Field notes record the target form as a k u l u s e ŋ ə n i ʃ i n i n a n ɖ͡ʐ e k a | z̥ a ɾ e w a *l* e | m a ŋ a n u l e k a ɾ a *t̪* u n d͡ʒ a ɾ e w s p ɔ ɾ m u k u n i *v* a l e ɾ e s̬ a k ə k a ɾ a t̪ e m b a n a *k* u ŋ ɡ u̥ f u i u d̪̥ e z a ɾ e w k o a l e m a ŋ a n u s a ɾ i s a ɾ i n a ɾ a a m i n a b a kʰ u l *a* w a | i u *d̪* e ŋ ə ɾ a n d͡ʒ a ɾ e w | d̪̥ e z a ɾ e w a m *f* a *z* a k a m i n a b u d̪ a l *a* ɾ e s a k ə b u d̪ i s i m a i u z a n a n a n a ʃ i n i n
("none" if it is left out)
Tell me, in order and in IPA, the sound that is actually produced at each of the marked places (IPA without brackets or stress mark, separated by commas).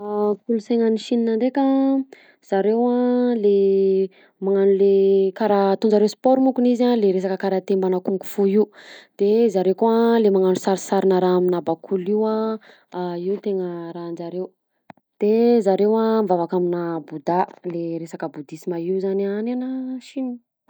l, t̪, z, k, i, t̪, v, v, e